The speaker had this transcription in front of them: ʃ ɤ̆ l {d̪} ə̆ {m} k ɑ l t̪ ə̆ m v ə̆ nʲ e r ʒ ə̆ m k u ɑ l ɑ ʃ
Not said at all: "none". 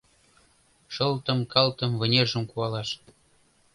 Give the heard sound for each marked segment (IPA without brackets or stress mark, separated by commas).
t̪, m